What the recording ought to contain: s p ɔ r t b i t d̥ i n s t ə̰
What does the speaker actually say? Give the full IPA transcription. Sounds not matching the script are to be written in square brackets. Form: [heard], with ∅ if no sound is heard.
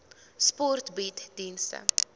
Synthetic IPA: s p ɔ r t b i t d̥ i n s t ə̰